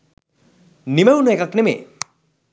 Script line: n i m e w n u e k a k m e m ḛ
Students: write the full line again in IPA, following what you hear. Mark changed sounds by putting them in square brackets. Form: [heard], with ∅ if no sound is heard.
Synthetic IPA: n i m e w n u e k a k [n] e m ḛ